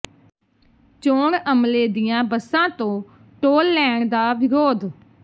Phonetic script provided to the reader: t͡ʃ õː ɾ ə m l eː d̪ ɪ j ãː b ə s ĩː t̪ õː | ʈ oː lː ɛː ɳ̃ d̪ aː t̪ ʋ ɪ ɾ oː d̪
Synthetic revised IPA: t͡ʃ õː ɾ ə m l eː d̪ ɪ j ãː b ə s ãː t̪ õː | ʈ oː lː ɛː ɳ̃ d̪ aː ʋ ɪ ɾ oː d̪